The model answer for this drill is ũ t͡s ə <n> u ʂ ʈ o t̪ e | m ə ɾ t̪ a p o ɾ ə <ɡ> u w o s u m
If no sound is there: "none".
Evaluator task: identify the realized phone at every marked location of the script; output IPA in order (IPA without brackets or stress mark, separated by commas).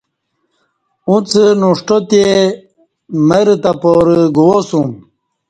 n, ɡ